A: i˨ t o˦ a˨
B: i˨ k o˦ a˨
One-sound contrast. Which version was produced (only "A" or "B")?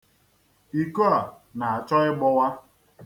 B